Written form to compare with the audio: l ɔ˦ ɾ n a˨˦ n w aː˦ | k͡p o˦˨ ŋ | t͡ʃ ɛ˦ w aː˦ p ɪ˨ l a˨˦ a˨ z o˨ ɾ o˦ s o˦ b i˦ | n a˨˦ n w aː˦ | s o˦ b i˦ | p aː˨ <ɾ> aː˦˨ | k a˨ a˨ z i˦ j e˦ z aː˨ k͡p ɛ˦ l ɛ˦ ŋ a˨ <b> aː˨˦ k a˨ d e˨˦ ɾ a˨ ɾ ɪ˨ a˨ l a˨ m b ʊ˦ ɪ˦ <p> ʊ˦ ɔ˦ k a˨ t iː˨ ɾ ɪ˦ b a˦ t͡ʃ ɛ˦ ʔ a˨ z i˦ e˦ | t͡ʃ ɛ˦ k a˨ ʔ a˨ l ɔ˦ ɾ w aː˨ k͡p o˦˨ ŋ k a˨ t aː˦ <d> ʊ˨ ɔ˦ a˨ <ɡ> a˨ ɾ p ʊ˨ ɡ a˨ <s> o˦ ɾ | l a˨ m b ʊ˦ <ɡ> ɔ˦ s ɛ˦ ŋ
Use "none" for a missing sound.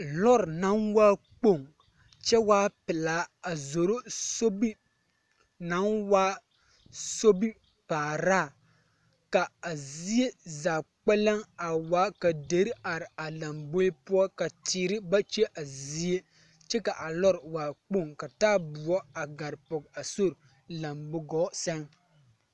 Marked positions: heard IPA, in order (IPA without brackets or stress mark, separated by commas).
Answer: ɾ, w, p, b, ɡ, s, ɡ